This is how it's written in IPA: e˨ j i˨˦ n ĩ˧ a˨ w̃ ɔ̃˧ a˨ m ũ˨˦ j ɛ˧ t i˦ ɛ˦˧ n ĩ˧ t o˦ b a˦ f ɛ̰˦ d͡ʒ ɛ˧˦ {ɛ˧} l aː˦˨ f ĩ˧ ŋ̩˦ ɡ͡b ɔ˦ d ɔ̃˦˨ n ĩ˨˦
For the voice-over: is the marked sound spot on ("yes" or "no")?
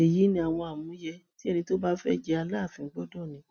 no